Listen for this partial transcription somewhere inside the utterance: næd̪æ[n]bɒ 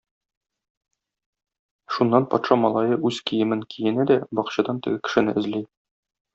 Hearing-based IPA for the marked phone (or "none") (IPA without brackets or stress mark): none